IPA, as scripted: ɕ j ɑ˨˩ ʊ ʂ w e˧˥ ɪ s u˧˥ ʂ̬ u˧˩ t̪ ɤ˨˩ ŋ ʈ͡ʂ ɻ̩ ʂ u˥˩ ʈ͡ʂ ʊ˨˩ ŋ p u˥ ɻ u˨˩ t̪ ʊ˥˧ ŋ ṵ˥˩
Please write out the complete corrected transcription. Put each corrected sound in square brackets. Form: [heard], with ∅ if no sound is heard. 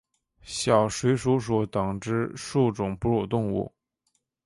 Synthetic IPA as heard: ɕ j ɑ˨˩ ʊ ʂ w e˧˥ ɪ [ʂ] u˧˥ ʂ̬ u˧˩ t̪ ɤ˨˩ ŋ ʈ͡ʂ ɻ̩ ʂ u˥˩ ʈ͡ʂ ʊ˨˩ ŋ p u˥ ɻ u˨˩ t̪ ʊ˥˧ ŋ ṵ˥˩